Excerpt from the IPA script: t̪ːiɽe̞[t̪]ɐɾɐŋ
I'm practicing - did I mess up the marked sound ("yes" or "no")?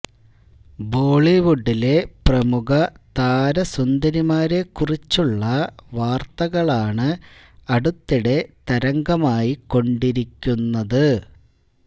no